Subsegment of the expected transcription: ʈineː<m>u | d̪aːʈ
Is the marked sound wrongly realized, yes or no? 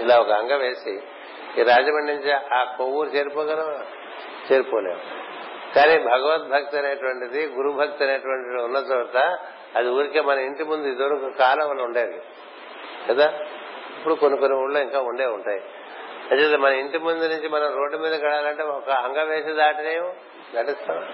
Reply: no